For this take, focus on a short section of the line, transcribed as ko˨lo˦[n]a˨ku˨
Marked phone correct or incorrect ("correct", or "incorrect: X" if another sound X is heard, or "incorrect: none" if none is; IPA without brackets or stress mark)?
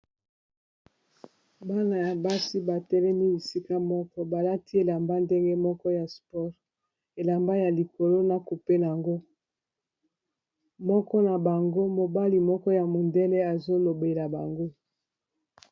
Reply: correct